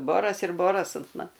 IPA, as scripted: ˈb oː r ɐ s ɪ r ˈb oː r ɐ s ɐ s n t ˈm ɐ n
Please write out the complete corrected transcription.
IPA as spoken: ˈb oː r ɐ s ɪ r ˈb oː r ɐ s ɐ n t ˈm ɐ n